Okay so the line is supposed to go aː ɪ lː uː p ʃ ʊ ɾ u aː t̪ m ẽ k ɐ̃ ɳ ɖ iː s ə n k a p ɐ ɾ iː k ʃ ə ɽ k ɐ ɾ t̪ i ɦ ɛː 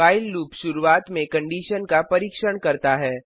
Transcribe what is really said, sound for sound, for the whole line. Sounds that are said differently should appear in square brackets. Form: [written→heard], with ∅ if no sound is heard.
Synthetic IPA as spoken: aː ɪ lː uː p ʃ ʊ ɾ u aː t̪ m ẽ k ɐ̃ ɳ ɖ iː [s→ʃ] ə n k a p ɐ ɾ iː k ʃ ə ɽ k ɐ ɾ t̪ [i→a] ɦ ɛː